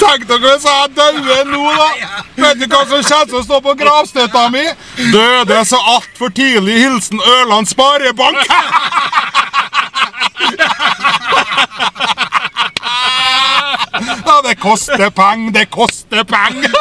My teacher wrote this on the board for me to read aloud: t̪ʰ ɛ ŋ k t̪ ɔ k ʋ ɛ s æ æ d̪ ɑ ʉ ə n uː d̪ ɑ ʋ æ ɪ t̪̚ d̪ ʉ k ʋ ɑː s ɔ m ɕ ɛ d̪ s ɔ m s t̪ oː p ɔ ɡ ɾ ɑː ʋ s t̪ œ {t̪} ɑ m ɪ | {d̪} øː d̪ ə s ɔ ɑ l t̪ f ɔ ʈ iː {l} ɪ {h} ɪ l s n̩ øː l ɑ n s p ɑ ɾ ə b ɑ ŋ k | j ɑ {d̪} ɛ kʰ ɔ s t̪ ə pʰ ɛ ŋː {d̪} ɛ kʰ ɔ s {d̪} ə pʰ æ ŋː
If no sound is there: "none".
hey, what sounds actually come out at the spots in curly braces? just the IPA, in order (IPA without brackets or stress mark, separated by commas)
t̪, d̪, l, h, d̪, d̪, t̪